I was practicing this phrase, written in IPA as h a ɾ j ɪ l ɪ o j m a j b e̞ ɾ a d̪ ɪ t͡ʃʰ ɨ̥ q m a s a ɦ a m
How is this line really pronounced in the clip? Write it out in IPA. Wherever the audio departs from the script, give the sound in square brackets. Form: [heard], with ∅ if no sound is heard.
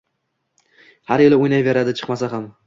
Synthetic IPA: h a ɾ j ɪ l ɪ o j [n] a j [v] e̞ ɾ a d̪ ɪ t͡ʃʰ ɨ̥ q m a s a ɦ a m